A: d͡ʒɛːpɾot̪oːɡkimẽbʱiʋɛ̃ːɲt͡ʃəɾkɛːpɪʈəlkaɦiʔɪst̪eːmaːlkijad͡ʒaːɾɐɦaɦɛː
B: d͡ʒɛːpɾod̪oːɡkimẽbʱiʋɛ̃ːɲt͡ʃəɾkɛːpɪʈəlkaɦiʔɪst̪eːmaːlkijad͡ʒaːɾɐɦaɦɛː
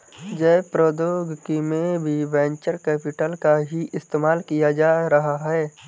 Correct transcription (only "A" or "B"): B